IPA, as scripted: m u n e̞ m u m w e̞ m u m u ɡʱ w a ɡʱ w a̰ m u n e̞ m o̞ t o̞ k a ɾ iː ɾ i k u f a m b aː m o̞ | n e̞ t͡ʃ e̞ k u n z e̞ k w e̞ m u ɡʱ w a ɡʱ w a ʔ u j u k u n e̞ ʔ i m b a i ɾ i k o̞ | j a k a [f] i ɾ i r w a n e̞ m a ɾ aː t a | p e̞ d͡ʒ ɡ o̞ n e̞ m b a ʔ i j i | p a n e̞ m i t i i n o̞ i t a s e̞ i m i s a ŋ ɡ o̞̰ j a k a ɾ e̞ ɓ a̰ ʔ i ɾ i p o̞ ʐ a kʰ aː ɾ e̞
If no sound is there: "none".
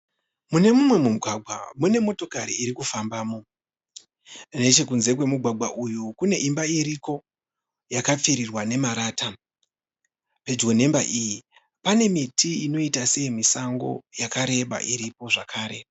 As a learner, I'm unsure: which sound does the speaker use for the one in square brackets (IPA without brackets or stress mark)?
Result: p͡f